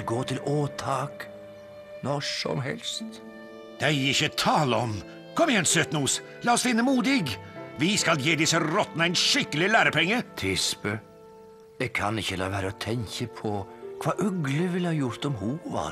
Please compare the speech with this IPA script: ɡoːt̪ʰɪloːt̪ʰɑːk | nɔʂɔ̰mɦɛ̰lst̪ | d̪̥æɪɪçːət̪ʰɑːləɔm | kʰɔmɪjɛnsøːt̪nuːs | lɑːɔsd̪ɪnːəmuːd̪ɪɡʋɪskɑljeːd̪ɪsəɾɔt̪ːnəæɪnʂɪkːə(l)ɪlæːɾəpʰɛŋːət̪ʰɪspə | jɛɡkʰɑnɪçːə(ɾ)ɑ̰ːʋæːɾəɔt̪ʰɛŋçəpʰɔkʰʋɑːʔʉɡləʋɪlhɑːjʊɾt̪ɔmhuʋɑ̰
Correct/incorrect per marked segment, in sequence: correct, incorrect

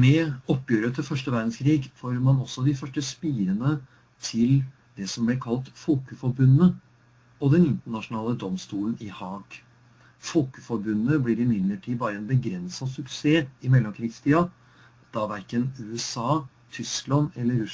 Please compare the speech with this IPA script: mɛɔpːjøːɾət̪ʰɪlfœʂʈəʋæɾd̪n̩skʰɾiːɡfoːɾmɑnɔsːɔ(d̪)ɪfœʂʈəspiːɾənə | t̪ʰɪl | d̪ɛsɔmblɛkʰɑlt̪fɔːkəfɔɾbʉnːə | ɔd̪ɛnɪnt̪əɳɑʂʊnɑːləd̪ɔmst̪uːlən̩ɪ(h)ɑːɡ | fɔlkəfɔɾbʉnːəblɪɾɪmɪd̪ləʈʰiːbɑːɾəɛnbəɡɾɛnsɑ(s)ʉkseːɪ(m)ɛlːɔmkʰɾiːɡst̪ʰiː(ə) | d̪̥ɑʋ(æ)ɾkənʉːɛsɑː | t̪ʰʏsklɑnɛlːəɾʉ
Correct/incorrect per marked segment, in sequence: correct, correct, correct, correct, incorrect, correct

